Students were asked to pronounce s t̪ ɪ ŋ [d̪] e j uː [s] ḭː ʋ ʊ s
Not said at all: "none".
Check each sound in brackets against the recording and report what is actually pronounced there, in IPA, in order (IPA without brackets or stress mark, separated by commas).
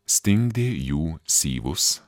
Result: d̪, s